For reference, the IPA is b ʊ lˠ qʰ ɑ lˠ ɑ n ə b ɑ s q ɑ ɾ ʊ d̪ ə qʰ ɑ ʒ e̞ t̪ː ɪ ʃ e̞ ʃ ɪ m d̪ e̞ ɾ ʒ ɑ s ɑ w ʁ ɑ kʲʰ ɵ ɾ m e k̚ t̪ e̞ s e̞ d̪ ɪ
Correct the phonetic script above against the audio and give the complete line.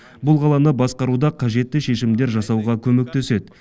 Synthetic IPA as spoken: b ʊ lˠ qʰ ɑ lˠ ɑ n ə b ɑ s q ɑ ɾ u d̪ ɑ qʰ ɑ ʒ e̞ t̪ː ɪ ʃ e̞ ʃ ɪ m d̪ e̞ ɾ ʒ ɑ s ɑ w ʁ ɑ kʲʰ ɵ m e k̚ t̪ e̞ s e̞ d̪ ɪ